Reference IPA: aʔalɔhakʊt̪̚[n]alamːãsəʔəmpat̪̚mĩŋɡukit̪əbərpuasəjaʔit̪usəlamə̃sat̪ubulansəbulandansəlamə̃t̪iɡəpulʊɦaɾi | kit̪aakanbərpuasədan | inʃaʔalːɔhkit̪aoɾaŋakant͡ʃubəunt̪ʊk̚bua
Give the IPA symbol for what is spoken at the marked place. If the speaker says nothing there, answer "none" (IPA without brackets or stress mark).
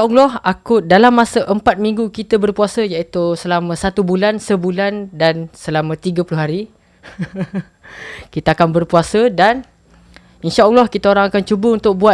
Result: d